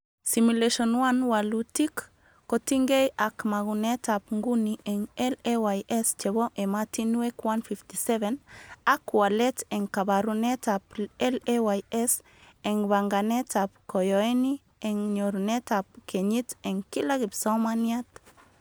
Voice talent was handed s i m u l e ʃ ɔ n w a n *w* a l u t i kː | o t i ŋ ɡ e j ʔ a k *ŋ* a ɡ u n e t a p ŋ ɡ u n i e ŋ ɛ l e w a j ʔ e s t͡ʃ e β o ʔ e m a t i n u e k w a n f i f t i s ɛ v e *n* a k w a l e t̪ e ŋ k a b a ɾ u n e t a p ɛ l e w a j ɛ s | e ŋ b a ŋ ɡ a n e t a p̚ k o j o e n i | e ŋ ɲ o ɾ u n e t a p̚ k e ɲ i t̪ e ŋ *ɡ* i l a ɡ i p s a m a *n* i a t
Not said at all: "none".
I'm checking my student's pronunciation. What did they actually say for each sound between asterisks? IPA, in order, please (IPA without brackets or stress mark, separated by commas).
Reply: w, m, n, k, n